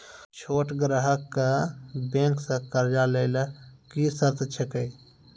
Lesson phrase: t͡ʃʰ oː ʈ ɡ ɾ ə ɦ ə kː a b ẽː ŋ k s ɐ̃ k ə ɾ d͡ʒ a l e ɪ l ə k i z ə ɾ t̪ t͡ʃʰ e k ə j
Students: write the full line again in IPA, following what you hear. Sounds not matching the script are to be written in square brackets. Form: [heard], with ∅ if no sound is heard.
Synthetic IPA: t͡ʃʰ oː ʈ ɡ ɾ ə ɦ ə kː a b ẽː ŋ k s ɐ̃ k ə ɾ d͡ʒ a l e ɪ l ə k i [s] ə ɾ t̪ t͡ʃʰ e k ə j